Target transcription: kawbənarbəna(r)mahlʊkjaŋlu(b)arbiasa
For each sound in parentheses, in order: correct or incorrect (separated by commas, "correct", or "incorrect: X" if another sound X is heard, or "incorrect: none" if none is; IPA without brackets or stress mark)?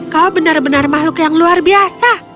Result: correct, incorrect: none